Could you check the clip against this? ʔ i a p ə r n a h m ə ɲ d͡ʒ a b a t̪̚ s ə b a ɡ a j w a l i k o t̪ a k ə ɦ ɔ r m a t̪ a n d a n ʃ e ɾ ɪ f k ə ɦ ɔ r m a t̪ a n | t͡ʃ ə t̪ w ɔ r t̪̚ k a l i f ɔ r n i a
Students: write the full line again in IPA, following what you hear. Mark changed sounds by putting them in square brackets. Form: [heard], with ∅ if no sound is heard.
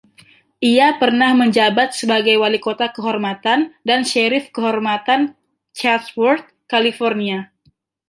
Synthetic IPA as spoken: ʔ i a p ə r n a h m ə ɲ d͡ʒ a b a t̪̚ s ə b a ɡ a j w a l i k o t̪ a k ə ɦ ɔ r m a t̪ a n d a n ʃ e ɾ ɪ f k ə ɦ ɔ r m a t̪ a n | t͡ʃ [a] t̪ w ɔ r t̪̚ k a l i f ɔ r n i a